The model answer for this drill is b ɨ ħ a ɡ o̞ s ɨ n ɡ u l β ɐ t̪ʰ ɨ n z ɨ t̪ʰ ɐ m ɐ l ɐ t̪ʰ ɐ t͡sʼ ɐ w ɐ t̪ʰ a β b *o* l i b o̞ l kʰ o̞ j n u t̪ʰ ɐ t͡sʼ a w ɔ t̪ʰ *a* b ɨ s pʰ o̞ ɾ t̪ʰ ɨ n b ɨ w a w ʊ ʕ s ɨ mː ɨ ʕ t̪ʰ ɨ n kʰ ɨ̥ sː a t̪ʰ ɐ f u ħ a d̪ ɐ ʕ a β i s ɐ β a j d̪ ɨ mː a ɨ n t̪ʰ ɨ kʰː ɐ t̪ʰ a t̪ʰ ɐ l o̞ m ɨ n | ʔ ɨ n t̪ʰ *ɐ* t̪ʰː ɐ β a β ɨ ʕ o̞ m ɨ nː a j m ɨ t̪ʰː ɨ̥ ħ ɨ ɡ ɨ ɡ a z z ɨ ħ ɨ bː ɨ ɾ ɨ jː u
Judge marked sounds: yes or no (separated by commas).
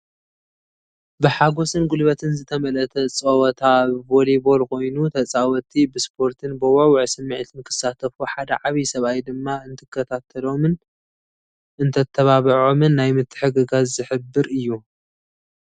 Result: yes, no, yes